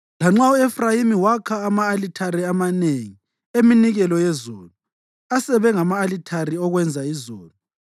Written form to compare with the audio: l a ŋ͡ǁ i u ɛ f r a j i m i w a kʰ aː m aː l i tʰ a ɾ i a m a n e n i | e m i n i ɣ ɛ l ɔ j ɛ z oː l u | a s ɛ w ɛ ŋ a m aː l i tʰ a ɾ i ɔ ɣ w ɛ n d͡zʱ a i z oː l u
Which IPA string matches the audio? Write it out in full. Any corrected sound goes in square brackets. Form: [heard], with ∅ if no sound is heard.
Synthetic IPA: l a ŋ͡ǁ [a] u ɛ f r a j i m i w a kʰ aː m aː l i tʰ a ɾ i a m a n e [ŋ] i | e m i n i ɣ ɛ l ɔ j ɛ z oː l u | a s ɛ [β] ɛ ŋ a m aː l i tʰ a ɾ i ɔ ɣ w ɛ n d͡zʱ a i z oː l u